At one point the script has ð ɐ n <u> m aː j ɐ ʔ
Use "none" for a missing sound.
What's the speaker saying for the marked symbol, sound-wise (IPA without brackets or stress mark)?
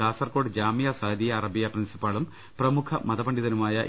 u